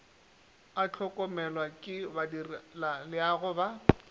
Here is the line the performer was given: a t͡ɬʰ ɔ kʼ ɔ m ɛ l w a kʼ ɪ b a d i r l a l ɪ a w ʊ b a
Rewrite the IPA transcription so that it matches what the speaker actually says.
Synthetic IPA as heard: a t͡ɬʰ ɔ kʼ ɔ m ɛ l w a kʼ ɪ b a d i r l a l ɪ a ɣ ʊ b a